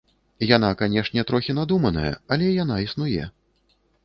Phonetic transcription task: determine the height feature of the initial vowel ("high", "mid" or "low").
low